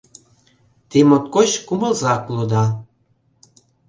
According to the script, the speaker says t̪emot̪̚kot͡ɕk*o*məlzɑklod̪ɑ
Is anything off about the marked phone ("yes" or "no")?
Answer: yes